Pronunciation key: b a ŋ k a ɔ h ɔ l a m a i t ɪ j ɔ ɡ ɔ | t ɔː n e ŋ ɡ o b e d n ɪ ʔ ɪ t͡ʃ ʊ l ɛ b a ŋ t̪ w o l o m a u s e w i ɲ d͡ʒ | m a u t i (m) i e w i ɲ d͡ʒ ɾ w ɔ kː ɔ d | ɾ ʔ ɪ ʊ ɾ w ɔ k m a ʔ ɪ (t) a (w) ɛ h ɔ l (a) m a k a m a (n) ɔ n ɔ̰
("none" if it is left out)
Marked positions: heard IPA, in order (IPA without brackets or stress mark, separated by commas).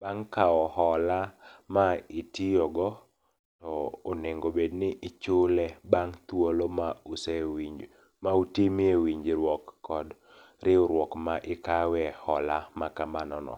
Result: m, k, w, a, n